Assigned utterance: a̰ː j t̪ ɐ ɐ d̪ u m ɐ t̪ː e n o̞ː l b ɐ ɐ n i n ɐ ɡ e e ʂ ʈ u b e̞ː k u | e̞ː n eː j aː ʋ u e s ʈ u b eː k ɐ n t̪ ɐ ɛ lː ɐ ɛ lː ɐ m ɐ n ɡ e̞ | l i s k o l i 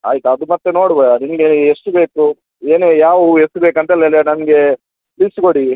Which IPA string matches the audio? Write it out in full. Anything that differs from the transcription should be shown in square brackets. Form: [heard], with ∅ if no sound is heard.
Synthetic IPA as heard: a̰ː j t̪ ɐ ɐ d̪ u m ɐ t̪ː e n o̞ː [ɽ] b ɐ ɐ n i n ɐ ɡ e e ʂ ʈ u b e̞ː k u | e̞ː n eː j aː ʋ u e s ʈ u b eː k ɐ n t̪ ɐ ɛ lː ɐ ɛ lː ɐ [n] ɐ n ɡ e̞ | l i s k o [ɽ] i